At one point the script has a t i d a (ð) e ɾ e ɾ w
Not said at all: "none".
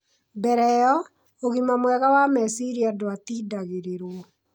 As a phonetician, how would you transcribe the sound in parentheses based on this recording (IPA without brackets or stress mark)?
ɣ